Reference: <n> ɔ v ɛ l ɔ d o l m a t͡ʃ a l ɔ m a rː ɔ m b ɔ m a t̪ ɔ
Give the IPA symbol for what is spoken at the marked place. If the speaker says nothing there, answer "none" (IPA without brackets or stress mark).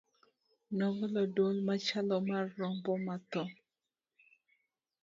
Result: n